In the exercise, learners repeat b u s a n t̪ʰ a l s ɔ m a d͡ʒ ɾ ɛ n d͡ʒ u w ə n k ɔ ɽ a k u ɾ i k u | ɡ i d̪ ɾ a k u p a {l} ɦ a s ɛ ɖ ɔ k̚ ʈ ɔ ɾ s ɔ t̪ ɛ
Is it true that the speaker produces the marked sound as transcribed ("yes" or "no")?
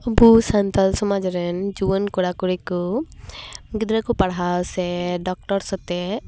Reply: no